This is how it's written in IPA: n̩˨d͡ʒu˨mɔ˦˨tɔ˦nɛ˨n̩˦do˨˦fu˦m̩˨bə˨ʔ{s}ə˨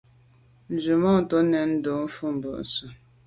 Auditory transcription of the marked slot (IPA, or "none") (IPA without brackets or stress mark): s